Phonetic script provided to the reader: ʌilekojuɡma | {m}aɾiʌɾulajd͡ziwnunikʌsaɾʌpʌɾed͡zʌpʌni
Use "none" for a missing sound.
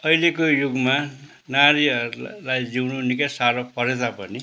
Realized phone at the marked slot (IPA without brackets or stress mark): n